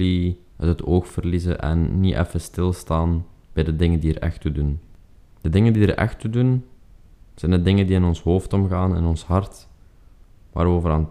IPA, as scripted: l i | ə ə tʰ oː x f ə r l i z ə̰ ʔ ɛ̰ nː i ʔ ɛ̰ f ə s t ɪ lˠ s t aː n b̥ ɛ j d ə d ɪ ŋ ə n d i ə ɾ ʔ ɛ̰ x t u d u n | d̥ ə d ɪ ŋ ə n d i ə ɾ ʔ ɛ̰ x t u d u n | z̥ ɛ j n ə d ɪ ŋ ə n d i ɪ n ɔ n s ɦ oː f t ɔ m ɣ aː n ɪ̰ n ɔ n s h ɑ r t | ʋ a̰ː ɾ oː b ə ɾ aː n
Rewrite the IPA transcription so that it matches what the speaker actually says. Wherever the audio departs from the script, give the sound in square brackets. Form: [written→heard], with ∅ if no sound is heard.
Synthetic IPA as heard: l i | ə ə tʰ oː x f ə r l i z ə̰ ʔ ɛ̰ nː i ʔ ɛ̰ f ə s t ɪ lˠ s t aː n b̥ ɛ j d ə d ɪ ŋ ə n d i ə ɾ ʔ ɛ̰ x t u d u n | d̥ ə d ɪ ŋ ə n d i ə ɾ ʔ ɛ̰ x t u d u n | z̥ ɛ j n ə d ɪ ŋ ə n d i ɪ n ɔ n s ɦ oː f t ɔ m ɣ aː n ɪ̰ n ɔ n s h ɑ r t | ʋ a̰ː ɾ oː [b→v] ə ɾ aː n